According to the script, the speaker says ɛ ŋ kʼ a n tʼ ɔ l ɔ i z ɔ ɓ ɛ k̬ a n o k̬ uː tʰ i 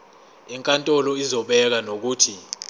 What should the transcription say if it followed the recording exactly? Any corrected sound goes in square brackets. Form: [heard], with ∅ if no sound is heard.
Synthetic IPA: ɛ ŋ kʼ a n tʼ ɔ l ɔ i z ɔ ɓ ɛ k̬ a n o k̬ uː tʰ i

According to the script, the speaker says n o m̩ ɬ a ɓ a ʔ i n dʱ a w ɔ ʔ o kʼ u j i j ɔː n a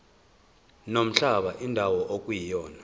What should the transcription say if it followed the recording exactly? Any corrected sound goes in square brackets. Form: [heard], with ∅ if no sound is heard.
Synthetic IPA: n o m̩ ɬ a ɓ a ʔ i n dʱ a w ɔ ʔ o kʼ u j i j ɔː n a

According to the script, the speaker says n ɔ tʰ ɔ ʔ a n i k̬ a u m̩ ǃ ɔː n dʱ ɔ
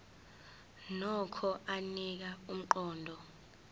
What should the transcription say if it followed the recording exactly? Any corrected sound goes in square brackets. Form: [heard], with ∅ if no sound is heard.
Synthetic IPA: n ɔ [kʰ] ɔ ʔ a n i k̬ a u m̩ ǃ ɔː n dʱ ɔ

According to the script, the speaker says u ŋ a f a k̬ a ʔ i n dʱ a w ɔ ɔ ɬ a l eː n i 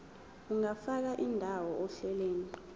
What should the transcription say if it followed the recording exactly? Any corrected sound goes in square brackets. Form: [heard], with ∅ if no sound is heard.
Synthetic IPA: u ŋ a f a k̬ a ʔ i n dʱ a w ɔ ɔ ɬ [ɛ] l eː n i

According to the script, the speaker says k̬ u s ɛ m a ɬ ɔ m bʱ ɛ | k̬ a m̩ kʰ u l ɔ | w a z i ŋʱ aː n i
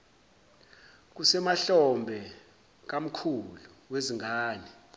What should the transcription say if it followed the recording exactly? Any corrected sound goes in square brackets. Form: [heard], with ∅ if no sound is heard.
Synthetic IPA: k̬ u s ɛ m a ɬ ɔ m bʱ ɛ | k̬ a m̩ kʰ u l [u] | w [e] z i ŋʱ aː n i

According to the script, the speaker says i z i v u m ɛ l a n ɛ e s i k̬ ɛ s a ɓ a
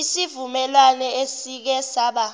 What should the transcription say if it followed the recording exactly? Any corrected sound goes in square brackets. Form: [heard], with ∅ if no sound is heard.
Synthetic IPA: i [s] i v u m ɛ l a n ɛ e s i k̬ ɛ s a ɓ a

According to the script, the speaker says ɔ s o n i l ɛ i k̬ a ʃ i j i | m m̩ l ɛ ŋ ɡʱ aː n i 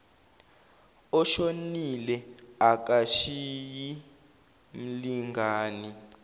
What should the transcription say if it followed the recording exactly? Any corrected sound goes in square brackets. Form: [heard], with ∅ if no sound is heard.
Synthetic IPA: ɔ [ʃ] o n i l ɛ [a] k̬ a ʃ i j i | m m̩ l [i] ŋ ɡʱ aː n i

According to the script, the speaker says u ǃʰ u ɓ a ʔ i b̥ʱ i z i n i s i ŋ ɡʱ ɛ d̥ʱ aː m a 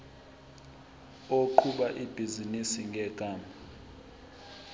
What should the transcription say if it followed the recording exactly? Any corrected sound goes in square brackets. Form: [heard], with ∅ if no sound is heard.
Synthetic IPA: [o] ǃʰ u ɓ a ʔ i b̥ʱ i z i n i s i ŋ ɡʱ ɛ [ɡ̥ʱ] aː m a

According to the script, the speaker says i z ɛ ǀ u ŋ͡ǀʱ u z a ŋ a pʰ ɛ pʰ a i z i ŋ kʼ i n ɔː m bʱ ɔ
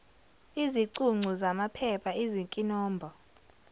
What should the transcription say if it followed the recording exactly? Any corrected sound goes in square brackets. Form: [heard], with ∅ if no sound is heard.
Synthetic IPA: i z [i] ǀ u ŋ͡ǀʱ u z a [m] a pʰ ɛ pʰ a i z i ŋ kʼ i n ɔː m bʱ ɔ

